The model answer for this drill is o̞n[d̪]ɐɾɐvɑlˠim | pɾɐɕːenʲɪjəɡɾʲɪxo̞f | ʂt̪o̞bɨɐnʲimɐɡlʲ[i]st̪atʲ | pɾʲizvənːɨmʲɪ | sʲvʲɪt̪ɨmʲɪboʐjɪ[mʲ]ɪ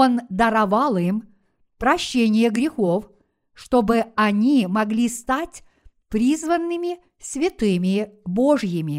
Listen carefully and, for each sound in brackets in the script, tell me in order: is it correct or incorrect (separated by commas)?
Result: correct, correct, correct